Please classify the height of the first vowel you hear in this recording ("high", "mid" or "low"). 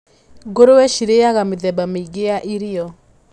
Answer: mid